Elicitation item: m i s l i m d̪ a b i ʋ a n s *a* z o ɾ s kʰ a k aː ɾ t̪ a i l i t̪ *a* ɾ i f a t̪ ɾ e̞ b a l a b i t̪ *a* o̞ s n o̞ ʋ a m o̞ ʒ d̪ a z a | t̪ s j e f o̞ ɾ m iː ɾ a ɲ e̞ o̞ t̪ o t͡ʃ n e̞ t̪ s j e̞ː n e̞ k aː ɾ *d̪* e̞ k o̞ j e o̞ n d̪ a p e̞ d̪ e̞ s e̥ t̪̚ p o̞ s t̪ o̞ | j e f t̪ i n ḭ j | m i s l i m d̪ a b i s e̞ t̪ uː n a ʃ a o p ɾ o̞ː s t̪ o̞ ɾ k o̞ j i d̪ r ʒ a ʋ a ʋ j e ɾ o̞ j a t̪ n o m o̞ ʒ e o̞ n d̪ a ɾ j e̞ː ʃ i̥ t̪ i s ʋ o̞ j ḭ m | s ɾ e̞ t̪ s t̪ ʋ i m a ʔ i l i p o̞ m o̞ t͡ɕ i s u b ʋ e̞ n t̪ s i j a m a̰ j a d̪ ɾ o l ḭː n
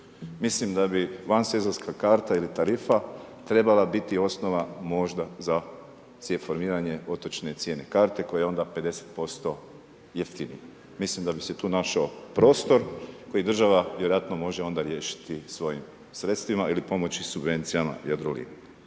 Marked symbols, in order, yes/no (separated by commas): no, yes, no, no